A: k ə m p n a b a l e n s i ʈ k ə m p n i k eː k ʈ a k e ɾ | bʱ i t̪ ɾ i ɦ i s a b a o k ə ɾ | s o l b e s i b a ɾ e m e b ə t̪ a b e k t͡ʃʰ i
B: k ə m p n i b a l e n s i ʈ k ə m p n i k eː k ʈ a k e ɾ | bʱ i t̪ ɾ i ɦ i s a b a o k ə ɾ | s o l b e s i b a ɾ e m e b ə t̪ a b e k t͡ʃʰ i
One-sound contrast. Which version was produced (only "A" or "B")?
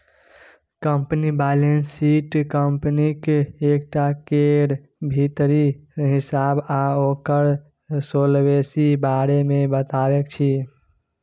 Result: B